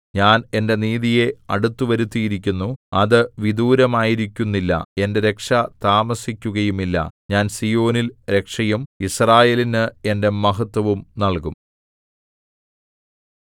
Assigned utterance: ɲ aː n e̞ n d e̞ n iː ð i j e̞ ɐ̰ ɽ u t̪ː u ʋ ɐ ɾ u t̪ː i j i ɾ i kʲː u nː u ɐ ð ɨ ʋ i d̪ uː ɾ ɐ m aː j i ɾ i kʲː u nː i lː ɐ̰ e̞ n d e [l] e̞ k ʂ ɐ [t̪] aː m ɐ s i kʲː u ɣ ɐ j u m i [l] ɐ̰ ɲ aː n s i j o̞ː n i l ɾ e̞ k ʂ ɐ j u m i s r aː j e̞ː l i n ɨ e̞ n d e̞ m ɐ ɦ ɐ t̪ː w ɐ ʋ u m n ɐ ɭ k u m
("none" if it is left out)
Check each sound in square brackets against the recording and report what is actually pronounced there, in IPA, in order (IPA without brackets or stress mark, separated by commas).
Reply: ɾ, t̪, lː